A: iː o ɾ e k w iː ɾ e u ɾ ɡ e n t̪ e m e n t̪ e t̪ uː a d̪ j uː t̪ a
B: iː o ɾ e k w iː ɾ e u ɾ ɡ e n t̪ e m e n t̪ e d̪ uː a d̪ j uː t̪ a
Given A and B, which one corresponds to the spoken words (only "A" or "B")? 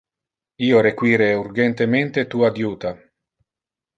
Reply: A